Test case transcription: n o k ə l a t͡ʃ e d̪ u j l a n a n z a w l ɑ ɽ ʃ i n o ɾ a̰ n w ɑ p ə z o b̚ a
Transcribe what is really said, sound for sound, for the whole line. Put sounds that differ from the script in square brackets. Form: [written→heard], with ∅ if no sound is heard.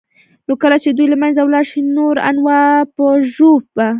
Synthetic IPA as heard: n o k ə l a t͡ʃ e d̪ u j l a [n→m] a n z a w l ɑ [ɽ→ɾ] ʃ i n o ɾ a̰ n w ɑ p ə [z→ʒ] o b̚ a